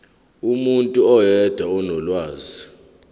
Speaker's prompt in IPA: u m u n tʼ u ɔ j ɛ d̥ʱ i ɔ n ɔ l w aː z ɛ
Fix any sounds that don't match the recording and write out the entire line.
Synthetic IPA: u m u n tʼ u ɔ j ɛ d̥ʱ a ɔ n ɔ l w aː z i